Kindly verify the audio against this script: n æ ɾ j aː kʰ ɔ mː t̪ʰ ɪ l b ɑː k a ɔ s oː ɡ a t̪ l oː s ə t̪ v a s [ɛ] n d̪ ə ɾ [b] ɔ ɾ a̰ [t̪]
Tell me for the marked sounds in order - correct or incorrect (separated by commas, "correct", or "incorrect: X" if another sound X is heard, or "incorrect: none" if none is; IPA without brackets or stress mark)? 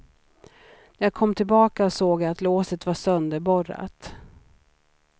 incorrect: œ, correct, correct